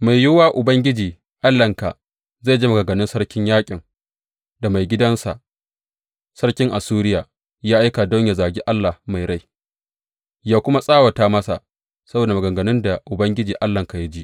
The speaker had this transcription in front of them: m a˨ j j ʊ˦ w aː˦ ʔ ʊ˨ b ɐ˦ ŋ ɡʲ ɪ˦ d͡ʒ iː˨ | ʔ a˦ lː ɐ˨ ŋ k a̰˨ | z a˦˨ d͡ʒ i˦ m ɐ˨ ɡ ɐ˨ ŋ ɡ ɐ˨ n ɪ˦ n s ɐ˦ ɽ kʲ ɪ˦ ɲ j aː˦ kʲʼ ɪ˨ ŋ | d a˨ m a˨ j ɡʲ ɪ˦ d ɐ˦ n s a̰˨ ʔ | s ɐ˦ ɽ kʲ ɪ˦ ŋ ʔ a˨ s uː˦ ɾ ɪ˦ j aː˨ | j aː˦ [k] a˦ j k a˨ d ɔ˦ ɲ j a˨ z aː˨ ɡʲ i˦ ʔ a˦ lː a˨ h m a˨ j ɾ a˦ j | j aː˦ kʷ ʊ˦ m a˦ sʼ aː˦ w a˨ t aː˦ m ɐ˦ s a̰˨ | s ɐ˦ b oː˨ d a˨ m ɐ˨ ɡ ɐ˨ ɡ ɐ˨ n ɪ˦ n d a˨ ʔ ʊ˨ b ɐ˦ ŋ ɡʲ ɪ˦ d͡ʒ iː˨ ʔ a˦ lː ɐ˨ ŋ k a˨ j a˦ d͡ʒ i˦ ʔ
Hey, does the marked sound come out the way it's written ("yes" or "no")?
no